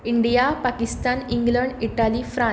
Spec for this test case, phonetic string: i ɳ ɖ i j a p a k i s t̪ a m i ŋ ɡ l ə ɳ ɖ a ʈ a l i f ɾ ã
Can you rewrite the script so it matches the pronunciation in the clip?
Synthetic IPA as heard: i ɳ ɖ i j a p a k i s t̪ a n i ŋ ɡ l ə ɳ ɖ i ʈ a l i f ɾ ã